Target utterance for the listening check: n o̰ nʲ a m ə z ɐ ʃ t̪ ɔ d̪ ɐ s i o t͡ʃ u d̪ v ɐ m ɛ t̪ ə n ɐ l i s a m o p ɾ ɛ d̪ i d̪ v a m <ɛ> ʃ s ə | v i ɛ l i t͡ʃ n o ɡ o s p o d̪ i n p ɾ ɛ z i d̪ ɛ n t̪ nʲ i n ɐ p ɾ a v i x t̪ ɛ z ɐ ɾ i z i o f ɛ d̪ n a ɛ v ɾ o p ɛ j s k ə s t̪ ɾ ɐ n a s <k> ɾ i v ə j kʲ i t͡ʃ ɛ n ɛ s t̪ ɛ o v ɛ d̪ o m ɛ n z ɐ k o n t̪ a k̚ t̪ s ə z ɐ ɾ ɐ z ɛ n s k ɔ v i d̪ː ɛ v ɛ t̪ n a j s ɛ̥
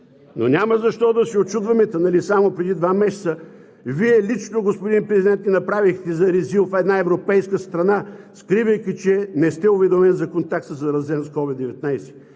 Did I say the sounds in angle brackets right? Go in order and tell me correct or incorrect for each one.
correct, correct

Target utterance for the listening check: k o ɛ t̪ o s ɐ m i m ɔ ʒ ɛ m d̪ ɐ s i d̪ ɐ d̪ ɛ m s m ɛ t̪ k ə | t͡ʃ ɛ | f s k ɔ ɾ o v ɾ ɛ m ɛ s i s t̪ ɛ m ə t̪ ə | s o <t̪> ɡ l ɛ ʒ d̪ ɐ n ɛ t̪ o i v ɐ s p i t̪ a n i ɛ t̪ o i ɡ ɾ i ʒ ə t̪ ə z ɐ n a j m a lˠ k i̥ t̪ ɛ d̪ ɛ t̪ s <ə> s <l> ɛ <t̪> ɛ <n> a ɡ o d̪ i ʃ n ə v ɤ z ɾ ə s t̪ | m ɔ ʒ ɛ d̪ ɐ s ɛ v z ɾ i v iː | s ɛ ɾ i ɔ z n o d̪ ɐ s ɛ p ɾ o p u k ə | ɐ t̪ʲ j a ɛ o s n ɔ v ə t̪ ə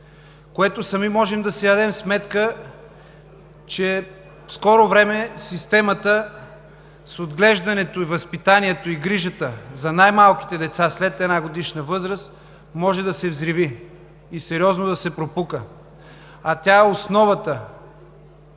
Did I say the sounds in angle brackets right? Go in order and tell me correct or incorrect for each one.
incorrect, incorrect, correct, correct, correct

